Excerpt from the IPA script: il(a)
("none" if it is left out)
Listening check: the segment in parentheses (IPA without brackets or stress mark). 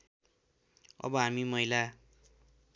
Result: a